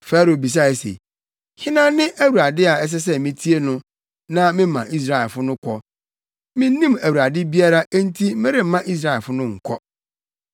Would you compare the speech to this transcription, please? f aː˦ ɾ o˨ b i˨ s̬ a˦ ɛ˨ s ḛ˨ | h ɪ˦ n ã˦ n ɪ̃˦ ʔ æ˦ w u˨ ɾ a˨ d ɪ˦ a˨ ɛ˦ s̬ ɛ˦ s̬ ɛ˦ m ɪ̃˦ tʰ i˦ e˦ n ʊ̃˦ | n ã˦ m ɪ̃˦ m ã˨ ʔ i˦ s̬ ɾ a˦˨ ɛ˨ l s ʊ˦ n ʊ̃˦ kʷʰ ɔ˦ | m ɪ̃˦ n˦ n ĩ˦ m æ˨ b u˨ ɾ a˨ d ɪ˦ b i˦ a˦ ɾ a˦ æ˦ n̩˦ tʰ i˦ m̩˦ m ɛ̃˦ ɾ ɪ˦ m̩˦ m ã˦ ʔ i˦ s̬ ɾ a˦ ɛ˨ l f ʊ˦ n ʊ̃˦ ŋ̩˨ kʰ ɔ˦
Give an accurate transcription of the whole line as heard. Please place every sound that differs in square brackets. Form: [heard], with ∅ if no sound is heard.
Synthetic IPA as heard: f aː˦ ɾ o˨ b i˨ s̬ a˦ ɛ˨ s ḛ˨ | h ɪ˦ n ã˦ n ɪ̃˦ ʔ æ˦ w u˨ ɾ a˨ d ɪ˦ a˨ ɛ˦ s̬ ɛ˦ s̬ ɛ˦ m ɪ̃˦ tʰ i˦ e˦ n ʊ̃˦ | n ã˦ m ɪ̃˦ m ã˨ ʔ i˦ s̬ ɾ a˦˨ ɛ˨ l [f] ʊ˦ n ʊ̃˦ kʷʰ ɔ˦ | m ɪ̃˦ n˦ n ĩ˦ m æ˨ [w] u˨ ɾ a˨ d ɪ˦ b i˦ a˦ ɾ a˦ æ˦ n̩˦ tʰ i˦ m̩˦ m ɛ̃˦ ɾ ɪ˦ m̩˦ m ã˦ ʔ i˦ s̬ ɾ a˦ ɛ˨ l f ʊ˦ n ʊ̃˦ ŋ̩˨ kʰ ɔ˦